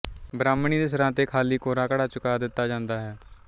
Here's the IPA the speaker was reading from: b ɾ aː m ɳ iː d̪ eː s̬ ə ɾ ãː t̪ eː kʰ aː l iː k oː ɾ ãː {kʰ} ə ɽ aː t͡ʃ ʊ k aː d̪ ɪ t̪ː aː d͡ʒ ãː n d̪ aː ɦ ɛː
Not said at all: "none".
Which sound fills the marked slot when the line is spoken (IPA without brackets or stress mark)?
k